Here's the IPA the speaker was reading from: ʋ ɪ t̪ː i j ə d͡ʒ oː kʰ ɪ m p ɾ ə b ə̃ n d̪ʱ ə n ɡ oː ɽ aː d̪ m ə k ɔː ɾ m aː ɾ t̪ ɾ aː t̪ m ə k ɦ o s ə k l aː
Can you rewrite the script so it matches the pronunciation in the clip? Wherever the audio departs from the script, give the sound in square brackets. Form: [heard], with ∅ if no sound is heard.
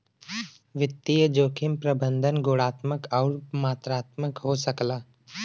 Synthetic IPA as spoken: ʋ ɪ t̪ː i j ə d͡ʒ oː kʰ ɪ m p ɾ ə b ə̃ n d̪ʱ ə n ɡ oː ɽ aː [t̪] m ə k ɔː ɾ m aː [∅] t̪ ɾ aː t̪ m ə k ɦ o s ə k l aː